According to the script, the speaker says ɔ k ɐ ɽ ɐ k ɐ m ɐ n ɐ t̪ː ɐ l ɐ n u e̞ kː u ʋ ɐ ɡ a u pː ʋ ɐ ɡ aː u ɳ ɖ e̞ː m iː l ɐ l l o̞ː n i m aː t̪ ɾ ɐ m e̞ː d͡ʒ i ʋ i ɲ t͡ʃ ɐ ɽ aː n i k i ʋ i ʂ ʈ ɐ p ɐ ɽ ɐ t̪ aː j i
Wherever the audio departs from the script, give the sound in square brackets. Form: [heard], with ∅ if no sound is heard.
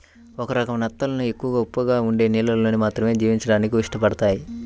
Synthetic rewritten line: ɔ k ɐ [ɾ] ɐ k ɐ m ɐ n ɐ t̪ː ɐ l ɐ n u e̞ kː u ʋ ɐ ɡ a u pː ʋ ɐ ɡ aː u ɳ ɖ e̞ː [n] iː l ɐ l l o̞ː n i m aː t̪ ɾ ɐ m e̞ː d͡ʒ [iː] ʋ i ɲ t͡ʃ ɐ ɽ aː n i k i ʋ i ʂ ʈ ɐ p ɐ ɽ ɐ t̪ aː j i